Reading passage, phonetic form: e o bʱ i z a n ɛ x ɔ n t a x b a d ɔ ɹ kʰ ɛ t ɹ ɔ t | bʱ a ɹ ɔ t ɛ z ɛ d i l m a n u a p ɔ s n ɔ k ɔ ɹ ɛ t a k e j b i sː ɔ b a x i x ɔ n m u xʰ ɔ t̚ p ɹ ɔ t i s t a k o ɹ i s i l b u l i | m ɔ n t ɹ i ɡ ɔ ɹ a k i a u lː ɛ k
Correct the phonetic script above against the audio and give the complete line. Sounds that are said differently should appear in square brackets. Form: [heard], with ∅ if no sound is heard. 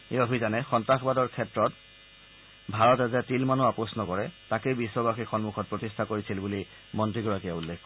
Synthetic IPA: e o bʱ i z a n ɛ x ɔ n t a x b a d ɔ ɹ kʰ ɛ t ɹ ɔ t | bʱ a ɹ ɔ t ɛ z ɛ [t] i l m a n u a p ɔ s n ɔ k ɔ ɹ ɛ t a k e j b i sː ɔ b a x i x ɔ n m u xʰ ɔ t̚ p ɹ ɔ t i s [tʰ] a k o ɹ i s i l b u l i | m ɔ n t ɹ i ɡ ɔ ɹ a k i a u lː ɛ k

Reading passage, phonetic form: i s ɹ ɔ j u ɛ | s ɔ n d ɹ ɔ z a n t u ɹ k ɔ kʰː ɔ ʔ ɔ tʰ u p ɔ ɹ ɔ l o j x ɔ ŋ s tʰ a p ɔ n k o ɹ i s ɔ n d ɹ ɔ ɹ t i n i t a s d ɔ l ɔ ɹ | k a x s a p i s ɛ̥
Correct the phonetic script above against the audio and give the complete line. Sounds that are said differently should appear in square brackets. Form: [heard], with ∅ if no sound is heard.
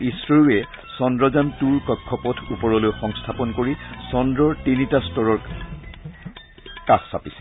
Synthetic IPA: i s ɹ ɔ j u ɛ | s ɔ n d ɹ ɔ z a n t u ɹ k ɔ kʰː ɔ [p] ɔ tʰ u p ɔ ɹ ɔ l o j x ɔ ŋ s tʰ a p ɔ n k o ɹ i s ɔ n d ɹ ɔ ɹ t i n i t a s [t] ɔ [ɹ] ɔ ɹ | k a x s a p i s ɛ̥

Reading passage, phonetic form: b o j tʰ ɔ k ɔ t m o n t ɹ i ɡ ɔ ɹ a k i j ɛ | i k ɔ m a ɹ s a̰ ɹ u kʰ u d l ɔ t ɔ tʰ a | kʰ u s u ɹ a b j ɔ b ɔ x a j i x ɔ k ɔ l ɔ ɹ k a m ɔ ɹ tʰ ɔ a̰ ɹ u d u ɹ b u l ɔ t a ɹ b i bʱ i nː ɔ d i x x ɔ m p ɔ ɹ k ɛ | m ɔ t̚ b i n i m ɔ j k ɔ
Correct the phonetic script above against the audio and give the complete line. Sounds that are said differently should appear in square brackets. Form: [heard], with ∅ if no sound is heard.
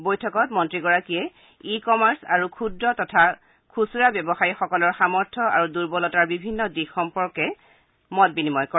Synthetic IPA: b o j tʰ ɔ k ɔ t m [ɔ] n t ɹ i ɡ ɔ ɹ a k i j ɛ | i k ɔ m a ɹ s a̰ ɹ u kʰ u d [ɹ] ɔ t ɔ tʰ a | kʰ u s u ɹ a b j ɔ b ɔ x a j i x ɔ k ɔ l ɔ ɹ [x] a m ɔ ɹ tʰ ɔ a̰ ɹ u d u ɹ b [ɔ] l ɔ t a ɹ b i bʱ i nː ɔ d i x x ɔ m p ɔ ɹ k ɛ | m ɔ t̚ b i n i m ɔ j k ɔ

